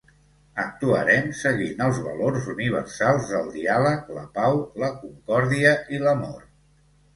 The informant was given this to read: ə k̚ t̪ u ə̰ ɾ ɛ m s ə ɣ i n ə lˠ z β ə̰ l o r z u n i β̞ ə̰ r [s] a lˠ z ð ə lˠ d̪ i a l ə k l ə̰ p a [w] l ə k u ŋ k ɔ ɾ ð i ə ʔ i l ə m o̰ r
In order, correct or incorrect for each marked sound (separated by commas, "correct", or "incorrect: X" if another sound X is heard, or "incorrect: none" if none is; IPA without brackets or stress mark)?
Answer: correct, correct